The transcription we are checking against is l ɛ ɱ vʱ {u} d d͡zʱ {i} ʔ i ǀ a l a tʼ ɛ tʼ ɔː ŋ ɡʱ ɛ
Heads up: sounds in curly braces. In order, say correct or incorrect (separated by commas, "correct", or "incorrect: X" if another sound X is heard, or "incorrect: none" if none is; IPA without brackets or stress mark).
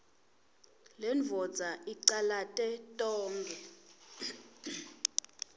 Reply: incorrect: ɔ, incorrect: a